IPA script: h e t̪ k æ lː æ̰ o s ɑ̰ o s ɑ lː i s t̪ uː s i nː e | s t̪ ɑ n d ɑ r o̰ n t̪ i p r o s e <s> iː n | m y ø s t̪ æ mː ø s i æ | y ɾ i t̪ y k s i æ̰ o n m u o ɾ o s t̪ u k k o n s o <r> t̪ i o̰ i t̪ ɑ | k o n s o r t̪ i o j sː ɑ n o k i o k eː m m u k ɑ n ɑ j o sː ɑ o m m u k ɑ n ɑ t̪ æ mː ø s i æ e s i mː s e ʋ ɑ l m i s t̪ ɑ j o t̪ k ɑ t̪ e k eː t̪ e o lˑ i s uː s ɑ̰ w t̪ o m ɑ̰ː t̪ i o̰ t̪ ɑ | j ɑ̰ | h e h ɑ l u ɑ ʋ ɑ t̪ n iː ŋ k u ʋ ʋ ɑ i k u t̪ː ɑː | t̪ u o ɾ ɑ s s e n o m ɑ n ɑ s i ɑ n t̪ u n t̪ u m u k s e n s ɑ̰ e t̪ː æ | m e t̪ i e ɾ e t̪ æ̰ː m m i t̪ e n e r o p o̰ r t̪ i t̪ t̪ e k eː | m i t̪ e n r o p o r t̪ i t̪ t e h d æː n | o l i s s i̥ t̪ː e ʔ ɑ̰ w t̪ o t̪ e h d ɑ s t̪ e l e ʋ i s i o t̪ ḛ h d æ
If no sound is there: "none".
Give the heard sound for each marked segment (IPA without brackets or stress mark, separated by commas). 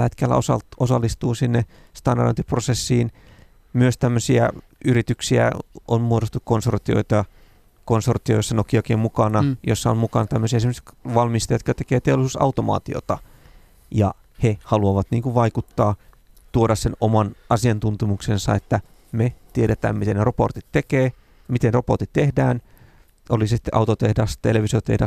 sː, r